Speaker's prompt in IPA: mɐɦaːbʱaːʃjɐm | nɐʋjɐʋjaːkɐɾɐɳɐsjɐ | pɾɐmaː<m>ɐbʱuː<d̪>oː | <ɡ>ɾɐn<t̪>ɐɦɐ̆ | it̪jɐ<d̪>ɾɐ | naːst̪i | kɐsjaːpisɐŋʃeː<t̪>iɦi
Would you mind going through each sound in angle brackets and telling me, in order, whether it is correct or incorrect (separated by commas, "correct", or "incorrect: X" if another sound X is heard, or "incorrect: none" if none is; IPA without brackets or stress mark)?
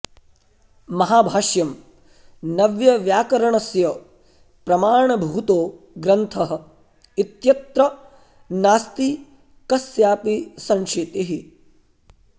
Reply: incorrect: ɳ, incorrect: t̪, correct, incorrect: t̪ʰ, incorrect: t̪, correct